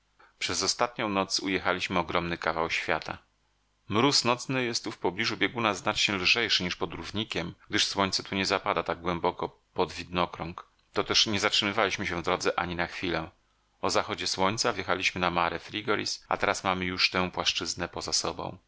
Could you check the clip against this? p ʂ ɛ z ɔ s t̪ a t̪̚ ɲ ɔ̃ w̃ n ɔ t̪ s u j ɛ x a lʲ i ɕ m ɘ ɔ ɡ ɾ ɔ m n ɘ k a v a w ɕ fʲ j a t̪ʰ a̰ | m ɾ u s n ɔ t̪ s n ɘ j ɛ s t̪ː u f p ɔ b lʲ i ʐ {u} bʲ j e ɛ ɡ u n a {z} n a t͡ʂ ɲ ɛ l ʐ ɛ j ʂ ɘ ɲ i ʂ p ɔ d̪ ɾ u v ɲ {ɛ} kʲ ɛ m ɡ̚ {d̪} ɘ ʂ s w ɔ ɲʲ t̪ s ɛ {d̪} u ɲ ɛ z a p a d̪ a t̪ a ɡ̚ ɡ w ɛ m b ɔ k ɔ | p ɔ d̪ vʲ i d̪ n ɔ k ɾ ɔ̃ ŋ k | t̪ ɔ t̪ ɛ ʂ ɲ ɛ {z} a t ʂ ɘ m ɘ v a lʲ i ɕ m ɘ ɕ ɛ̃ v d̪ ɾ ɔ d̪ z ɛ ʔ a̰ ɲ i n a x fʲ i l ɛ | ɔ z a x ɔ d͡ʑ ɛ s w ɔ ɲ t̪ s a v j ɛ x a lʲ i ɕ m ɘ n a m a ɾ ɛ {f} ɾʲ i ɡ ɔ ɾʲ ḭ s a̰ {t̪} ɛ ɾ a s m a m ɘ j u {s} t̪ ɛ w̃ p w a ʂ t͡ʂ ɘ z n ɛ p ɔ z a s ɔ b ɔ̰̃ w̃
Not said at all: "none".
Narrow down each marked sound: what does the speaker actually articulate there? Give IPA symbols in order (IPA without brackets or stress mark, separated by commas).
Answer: u, z, i, d̪, t̪, z, f, t̪, ʂ